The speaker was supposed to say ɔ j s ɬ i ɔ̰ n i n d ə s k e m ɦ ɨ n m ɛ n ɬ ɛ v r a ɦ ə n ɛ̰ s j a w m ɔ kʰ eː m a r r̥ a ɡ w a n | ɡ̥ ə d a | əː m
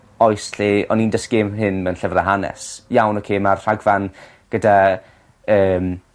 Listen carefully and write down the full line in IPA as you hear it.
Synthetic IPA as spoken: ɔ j s ɬ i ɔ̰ n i n d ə s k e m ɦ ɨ n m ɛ n ɬ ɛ v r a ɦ a n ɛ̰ s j a w n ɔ kʰ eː m a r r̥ a ɡ v a n | ɡ̥ ə d a | əː m